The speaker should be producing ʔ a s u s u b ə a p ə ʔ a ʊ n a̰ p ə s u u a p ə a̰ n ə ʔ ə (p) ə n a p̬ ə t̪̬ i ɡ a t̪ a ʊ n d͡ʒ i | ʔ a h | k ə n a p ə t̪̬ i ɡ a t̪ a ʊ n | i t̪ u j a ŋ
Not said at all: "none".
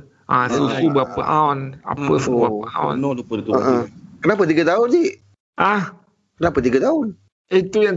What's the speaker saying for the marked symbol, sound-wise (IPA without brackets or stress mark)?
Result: k